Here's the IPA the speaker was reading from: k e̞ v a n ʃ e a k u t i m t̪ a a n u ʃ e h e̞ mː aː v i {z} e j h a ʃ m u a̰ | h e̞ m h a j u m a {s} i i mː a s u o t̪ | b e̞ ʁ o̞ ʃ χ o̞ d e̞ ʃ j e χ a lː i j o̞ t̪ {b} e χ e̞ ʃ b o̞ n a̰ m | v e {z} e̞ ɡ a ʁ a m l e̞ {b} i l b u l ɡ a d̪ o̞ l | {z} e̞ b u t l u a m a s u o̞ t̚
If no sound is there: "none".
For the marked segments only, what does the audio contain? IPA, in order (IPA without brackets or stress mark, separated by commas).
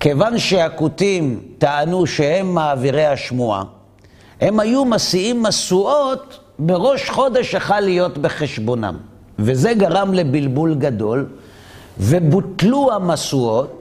ʁ, s, b, z, b, v